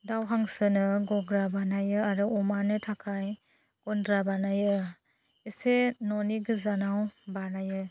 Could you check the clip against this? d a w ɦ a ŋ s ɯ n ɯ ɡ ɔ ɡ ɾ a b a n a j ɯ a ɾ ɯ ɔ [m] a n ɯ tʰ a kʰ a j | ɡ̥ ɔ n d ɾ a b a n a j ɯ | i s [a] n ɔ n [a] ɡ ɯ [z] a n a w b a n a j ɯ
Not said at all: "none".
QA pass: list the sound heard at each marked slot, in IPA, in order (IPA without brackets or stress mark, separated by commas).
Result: m, e, i, z